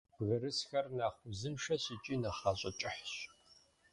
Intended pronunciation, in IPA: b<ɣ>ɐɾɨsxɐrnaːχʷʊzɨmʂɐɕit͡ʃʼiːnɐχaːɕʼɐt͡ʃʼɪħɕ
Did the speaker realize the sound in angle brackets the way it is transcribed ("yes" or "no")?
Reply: yes